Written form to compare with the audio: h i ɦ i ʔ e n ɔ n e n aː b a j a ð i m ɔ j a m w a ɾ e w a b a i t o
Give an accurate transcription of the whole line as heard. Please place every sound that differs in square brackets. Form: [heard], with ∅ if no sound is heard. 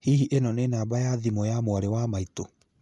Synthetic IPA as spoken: h i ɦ i ʔ e n ɔ n e n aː b a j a ð i m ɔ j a m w a ɾ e w a [m] a i t o